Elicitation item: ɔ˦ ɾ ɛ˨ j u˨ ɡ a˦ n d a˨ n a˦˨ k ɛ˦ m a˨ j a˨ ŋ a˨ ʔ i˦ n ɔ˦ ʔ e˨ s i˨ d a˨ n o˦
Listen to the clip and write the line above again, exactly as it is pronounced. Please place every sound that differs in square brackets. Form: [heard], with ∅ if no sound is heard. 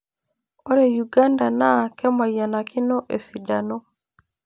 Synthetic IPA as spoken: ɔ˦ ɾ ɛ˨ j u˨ ɡ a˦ n d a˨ n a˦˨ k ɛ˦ m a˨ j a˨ [n] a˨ [k] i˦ n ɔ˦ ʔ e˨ s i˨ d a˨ n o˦

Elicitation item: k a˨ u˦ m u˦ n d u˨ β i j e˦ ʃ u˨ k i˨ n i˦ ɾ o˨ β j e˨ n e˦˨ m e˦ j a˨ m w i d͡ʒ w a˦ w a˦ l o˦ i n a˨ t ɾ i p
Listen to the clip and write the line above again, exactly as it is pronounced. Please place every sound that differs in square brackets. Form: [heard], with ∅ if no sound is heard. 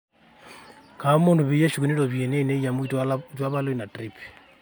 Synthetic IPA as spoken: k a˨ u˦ m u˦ n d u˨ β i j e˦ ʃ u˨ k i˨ n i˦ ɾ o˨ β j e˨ n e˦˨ [n] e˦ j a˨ m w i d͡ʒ w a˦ [β] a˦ l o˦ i n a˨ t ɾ i p

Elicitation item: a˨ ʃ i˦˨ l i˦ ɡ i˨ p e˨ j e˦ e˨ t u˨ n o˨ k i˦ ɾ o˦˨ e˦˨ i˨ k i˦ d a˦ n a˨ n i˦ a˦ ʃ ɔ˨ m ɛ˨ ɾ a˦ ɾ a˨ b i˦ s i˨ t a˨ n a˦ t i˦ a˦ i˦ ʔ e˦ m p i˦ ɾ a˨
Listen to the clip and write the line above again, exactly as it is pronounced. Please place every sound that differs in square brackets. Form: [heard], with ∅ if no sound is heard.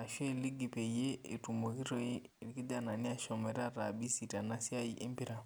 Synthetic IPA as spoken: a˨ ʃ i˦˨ l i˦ ɡ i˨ p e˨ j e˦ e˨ t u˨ [m] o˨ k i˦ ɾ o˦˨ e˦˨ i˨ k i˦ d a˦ n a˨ n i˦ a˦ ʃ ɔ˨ m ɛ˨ ɾ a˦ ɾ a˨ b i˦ s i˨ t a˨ n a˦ [s] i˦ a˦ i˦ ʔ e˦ m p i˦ ɾ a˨

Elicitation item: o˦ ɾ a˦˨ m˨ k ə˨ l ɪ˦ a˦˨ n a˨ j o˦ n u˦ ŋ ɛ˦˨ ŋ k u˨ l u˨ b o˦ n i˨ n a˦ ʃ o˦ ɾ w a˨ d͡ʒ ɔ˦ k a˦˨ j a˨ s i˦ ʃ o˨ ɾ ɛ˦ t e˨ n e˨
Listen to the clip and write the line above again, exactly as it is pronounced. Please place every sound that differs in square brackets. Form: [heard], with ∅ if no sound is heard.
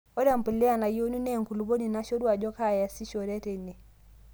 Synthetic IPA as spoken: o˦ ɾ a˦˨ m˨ [p] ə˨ l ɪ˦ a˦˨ n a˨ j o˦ n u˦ [n] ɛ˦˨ ŋ k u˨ l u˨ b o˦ n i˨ n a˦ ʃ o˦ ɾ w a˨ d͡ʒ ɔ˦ k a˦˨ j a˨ s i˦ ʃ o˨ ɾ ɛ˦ t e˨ n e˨

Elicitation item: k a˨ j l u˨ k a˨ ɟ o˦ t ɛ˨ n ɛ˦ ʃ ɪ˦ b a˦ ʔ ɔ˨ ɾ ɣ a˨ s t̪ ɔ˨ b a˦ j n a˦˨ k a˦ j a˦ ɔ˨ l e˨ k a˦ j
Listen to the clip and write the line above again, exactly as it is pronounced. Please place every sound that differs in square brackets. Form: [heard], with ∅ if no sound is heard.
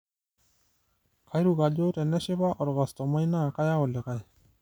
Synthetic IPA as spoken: k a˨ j [ɾ] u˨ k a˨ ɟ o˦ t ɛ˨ n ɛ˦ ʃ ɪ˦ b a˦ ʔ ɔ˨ ɾ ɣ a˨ s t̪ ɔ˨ [m] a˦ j n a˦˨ k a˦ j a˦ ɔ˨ l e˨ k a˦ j

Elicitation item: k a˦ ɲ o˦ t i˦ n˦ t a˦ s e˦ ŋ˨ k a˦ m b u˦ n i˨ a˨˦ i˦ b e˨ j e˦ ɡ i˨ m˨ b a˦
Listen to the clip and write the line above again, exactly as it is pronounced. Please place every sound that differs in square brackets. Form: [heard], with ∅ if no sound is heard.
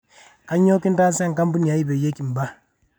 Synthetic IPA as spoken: k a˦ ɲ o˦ [k] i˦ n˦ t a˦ s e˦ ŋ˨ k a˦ m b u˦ n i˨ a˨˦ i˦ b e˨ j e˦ [k] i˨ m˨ b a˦

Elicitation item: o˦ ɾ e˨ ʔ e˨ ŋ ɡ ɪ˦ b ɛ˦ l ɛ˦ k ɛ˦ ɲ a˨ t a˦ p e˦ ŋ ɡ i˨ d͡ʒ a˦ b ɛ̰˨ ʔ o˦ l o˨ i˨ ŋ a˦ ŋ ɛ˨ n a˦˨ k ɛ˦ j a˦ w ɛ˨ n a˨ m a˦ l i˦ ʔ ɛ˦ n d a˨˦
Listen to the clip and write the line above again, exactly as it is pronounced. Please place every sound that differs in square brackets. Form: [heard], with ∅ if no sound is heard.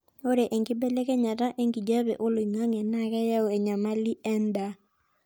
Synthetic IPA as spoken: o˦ ɾ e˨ ʔ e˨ ŋ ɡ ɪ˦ b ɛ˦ l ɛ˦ k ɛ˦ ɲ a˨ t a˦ [ʔ] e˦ ŋ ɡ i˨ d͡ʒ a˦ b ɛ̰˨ ʔ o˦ l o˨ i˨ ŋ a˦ ŋ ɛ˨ n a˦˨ k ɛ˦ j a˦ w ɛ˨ [ɲ] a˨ m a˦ l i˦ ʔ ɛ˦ n d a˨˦

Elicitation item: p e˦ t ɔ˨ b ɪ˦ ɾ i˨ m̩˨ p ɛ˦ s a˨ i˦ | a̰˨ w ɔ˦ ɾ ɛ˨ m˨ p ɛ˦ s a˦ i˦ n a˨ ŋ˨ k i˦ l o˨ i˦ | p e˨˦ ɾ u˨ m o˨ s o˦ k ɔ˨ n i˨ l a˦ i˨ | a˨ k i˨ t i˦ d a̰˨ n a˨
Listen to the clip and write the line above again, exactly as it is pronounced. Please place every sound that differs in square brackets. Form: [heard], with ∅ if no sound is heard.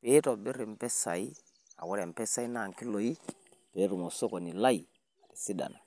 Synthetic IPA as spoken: p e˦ t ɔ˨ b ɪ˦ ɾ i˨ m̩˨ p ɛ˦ s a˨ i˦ | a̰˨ w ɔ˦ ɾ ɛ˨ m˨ p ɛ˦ s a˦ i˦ n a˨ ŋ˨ k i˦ l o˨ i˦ | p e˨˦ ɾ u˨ m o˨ s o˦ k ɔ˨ n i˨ l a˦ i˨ | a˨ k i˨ [s] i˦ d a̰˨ n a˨

